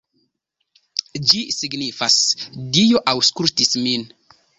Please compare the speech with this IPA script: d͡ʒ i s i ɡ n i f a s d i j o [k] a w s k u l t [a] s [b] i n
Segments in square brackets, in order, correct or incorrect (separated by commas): incorrect, incorrect, incorrect